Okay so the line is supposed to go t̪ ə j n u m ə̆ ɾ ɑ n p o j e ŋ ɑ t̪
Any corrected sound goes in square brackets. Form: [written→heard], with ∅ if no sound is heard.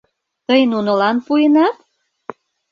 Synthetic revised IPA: t̪ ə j n u [m→n] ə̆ [ɾ→l] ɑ n p [o→u] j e [ŋ→n] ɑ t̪